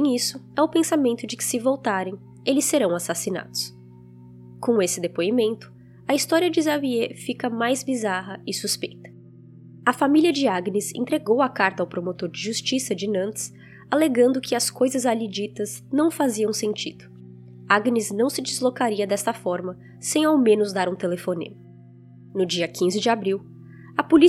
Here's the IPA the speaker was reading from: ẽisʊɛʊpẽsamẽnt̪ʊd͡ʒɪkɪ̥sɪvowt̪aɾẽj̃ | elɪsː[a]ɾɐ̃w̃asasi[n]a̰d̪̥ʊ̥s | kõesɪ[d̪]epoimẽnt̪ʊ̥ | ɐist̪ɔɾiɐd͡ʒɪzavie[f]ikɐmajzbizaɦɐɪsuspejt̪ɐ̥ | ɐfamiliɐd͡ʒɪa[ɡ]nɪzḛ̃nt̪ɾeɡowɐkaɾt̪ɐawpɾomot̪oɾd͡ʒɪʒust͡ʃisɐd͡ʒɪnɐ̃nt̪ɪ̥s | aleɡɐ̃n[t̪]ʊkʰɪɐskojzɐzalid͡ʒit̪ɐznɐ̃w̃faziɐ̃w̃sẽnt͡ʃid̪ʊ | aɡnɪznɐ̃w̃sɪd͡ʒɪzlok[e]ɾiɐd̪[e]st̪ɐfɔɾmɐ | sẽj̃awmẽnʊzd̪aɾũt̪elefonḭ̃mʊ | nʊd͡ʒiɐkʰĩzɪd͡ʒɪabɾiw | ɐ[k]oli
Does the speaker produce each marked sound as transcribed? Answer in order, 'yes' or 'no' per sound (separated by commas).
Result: no, yes, yes, yes, yes, no, no, no, no